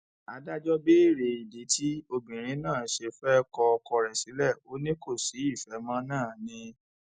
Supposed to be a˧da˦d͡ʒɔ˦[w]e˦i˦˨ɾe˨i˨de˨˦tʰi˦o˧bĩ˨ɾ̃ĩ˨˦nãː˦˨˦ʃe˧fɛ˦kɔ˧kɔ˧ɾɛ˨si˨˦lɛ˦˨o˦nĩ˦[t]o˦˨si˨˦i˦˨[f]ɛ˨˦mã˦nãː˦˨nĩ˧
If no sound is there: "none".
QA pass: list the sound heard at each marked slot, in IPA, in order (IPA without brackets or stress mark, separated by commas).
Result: b, k, f